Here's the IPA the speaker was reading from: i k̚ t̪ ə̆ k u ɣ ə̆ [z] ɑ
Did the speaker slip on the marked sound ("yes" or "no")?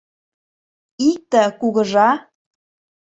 yes